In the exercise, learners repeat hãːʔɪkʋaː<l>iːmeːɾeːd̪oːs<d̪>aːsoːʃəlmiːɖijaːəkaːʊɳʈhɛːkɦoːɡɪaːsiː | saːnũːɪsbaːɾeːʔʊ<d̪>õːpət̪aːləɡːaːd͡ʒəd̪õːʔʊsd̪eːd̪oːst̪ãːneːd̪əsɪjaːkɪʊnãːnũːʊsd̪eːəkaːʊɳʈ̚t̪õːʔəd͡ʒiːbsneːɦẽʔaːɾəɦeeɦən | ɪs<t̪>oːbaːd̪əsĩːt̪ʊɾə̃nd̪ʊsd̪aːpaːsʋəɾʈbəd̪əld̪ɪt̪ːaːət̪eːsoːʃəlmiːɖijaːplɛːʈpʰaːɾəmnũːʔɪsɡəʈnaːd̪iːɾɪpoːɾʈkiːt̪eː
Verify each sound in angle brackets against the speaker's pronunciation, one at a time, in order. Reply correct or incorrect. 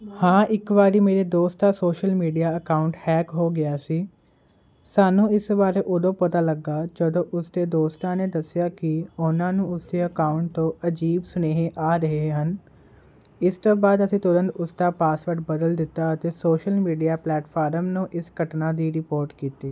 incorrect, incorrect, correct, correct

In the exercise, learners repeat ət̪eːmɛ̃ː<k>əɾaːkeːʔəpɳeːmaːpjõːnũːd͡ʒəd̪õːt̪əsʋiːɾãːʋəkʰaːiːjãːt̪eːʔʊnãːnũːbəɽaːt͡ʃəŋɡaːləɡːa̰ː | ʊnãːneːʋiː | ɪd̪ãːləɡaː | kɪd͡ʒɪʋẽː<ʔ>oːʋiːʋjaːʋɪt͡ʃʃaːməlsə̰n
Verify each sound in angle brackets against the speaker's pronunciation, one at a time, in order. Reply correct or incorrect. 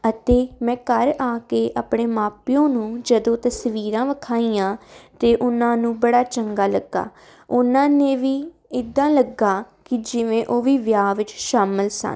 correct, correct

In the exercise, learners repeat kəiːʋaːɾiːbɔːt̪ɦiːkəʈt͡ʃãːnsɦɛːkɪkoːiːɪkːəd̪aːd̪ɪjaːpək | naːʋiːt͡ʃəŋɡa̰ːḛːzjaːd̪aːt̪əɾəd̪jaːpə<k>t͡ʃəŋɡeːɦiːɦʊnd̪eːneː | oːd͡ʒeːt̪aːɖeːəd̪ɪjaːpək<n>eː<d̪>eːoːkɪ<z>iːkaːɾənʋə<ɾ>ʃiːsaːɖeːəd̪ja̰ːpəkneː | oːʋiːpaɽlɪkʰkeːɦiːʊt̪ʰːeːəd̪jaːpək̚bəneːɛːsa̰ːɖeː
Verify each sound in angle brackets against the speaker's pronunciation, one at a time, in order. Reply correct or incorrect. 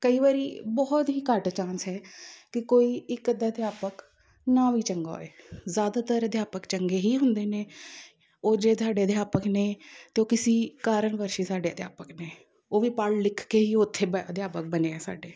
correct, correct, incorrect, incorrect, correct

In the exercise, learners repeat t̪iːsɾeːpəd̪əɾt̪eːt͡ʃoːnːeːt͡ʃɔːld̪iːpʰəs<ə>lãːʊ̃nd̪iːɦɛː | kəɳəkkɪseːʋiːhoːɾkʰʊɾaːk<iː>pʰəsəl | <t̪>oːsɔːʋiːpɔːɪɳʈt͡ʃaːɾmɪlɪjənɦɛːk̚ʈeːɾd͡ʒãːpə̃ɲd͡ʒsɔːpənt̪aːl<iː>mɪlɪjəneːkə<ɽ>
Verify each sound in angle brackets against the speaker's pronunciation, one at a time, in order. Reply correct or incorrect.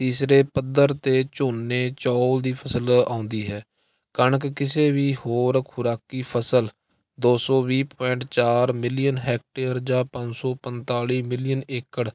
correct, correct, incorrect, correct, correct

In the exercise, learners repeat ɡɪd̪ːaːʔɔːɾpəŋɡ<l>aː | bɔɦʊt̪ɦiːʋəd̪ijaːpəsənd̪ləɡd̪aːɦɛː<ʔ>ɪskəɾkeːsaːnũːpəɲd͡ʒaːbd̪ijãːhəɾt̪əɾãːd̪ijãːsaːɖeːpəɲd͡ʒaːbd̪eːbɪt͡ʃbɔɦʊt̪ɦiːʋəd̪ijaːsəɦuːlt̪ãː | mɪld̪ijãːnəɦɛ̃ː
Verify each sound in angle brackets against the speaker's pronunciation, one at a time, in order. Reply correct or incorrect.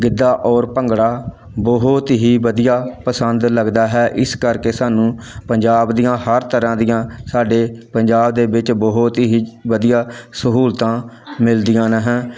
incorrect, correct

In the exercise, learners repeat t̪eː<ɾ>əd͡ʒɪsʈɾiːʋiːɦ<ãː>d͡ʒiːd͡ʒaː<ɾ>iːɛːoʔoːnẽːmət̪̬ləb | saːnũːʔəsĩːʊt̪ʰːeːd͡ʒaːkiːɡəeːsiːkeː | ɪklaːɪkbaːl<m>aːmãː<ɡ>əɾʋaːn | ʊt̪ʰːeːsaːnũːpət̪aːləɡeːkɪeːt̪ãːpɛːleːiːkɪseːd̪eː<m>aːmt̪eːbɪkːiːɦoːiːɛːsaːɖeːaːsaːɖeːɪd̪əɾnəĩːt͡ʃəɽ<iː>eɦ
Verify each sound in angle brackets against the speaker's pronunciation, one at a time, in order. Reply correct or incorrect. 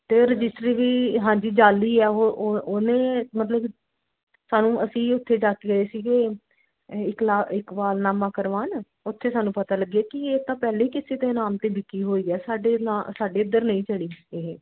correct, correct, incorrect, incorrect, incorrect, incorrect, correct

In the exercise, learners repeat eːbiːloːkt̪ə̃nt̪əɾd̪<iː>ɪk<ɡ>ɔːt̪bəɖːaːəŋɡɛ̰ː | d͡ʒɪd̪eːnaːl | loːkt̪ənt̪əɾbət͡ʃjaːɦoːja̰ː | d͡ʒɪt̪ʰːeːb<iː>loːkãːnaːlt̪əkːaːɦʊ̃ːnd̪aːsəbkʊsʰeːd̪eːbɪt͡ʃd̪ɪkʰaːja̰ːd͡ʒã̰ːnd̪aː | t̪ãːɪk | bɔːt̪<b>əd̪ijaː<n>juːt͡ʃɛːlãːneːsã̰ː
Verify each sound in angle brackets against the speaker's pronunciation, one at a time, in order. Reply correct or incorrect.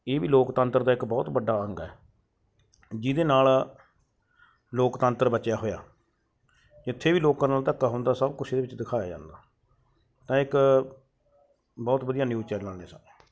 incorrect, incorrect, correct, correct, correct

